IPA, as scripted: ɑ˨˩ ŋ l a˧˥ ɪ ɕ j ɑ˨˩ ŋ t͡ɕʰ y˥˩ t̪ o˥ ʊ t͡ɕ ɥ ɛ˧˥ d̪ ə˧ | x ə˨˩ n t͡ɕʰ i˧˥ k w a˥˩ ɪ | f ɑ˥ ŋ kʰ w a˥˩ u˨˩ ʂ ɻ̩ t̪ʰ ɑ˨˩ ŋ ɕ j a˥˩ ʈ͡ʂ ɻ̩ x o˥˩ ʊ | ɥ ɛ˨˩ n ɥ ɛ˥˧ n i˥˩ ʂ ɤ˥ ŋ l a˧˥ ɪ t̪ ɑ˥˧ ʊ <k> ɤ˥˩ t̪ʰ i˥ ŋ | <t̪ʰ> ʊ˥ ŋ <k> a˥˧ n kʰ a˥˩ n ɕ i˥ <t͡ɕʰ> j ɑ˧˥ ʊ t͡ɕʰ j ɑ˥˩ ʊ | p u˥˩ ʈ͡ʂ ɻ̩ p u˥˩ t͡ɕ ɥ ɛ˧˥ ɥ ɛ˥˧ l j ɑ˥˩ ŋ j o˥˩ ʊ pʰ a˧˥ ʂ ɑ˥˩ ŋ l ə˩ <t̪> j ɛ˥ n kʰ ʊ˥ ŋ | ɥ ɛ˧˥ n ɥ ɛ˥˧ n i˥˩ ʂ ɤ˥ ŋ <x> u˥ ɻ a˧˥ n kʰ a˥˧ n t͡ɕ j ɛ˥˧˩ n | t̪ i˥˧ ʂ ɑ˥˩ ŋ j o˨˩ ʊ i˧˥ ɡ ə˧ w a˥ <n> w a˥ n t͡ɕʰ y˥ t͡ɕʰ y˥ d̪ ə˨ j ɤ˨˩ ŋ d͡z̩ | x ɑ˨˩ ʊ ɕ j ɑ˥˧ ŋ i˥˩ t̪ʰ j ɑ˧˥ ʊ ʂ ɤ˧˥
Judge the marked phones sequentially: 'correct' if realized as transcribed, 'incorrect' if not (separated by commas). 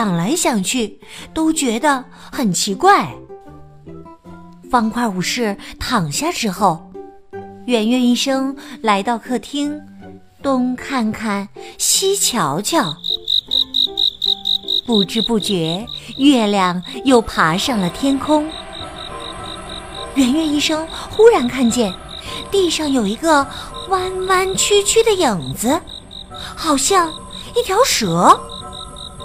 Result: incorrect, incorrect, incorrect, correct, incorrect, correct, correct